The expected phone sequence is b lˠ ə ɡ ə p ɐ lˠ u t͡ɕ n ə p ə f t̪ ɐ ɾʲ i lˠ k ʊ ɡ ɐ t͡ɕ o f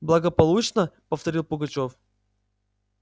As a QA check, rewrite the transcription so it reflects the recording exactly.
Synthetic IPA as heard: b lˠ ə ɡ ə p ɐ lˠ u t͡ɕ n ə p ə f t̪ ɐ ɾʲ i lˠ p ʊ ɡ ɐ t͡ɕ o f